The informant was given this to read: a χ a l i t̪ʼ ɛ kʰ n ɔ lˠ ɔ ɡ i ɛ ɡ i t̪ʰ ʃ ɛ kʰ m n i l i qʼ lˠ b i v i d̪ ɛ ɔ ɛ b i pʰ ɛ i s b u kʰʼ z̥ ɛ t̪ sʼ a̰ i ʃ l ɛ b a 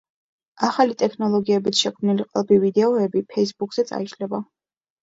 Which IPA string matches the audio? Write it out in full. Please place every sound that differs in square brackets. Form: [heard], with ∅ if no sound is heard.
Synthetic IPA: a χ a l i t̪ʼ ɛ kʰ n ɔ lˠ ɔ ɡ i ɛ [b] i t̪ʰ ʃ ɛ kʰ m n i l i qʼ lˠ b i v i d̪ ɛ ɔ ɛ b i pʰ ɛ i s b u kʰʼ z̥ ɛ t̪ sʼ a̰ i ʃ l ɛ b a